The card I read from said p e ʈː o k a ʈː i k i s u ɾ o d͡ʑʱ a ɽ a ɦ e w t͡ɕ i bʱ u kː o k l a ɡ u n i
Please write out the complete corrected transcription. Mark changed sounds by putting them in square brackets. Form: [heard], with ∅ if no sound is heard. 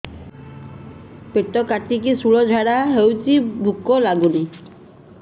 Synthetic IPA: p e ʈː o k a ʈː i k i s u [ɭ] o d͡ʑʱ a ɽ a ɦ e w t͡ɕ i bʱ u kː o [∅] l a ɡ u n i